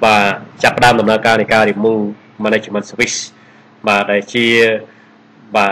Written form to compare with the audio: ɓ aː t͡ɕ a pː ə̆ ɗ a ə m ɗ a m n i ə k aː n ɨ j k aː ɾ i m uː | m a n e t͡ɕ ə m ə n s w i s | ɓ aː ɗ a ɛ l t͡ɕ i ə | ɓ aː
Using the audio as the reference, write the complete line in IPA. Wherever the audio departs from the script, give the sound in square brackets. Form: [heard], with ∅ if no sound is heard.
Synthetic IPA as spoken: ɓ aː t͡ɕ a pː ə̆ ɗ a ə m ɗ [ɑ] m n [a] ə k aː n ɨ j k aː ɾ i m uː | m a n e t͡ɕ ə m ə n s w i s | ɓ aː ɗ a ɛ l t͡ɕ i ə | ɓ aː